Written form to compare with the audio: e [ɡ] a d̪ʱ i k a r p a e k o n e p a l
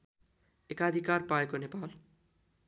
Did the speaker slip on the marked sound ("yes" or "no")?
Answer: yes